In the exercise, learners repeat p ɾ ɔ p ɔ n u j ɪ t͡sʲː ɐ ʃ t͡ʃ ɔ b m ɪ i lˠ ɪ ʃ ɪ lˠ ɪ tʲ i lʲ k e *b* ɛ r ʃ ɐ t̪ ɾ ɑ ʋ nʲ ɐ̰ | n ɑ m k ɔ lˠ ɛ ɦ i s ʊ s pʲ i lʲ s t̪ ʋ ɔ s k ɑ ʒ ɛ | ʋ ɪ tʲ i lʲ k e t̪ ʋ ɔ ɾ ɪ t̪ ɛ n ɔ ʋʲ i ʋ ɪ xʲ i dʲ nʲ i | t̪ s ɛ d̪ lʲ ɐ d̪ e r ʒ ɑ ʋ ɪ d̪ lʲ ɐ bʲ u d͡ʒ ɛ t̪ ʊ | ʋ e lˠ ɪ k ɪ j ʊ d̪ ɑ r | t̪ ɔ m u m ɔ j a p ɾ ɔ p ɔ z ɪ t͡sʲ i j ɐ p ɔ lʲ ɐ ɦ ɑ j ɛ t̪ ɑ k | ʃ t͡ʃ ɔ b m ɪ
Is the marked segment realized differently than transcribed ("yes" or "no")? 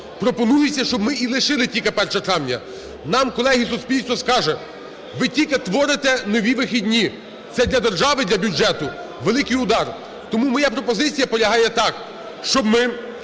yes